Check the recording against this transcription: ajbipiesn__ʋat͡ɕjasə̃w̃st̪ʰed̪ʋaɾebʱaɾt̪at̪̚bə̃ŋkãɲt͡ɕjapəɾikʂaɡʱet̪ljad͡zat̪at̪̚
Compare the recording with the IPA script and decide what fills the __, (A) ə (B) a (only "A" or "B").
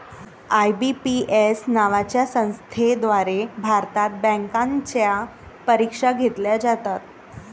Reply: B